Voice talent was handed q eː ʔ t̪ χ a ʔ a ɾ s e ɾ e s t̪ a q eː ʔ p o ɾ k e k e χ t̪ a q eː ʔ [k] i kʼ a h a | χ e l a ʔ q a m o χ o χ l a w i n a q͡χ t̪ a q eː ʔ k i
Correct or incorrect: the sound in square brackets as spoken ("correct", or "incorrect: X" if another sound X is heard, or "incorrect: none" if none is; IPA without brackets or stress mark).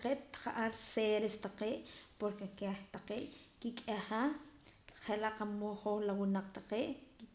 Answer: correct